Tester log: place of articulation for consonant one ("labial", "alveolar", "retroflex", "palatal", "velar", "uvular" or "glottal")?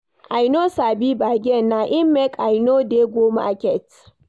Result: glottal